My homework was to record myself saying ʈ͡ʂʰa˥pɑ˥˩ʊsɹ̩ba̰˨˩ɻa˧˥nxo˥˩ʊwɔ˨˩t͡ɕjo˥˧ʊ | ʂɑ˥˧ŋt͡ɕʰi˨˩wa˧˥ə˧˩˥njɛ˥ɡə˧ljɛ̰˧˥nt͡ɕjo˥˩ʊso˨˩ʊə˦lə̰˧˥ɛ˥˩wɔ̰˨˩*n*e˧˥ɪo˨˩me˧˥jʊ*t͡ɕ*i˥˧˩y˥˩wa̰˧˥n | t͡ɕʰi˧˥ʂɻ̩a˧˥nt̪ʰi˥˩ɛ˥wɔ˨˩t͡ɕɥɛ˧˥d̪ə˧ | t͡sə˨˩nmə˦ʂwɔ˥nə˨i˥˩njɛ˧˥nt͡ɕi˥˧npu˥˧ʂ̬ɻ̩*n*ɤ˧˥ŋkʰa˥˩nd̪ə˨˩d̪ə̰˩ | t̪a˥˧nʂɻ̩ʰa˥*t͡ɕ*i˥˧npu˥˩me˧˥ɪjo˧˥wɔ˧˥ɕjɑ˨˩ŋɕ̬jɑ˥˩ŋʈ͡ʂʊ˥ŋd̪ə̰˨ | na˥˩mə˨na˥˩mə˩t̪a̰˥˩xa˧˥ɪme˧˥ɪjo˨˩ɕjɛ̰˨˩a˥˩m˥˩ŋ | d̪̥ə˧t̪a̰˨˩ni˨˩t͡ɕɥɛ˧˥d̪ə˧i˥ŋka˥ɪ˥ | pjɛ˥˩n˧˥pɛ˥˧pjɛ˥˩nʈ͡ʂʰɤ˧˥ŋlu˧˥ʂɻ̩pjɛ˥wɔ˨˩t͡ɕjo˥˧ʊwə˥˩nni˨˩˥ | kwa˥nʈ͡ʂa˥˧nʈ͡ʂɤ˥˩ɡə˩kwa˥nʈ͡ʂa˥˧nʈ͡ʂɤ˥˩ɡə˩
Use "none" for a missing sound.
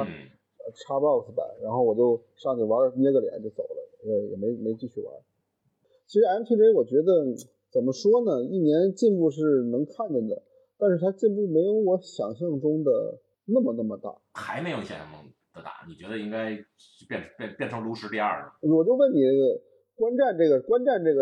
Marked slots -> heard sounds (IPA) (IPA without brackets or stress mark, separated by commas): m, t͡ɕ, n, t͡ɕ